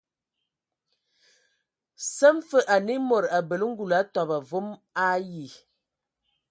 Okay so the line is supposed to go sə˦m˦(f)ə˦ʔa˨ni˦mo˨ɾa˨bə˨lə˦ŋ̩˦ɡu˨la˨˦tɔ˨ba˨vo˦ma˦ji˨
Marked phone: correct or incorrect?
correct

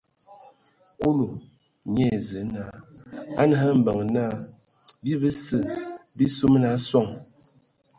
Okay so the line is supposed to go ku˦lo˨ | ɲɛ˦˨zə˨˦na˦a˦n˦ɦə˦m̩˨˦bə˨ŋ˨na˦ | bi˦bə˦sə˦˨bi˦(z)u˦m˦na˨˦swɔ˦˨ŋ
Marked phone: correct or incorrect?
incorrect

